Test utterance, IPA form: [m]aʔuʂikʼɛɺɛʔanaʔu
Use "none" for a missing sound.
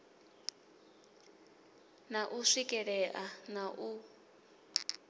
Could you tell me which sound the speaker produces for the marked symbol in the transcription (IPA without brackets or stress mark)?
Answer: n